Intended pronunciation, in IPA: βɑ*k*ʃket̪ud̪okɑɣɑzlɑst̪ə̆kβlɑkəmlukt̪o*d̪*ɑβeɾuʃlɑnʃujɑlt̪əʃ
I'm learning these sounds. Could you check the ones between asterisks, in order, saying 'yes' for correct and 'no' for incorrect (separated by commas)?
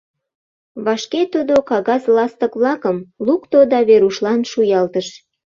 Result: no, yes